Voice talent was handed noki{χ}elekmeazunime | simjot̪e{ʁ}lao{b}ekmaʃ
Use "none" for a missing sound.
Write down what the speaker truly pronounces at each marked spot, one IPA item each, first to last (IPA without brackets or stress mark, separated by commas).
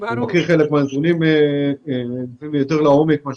χ, ʁ, m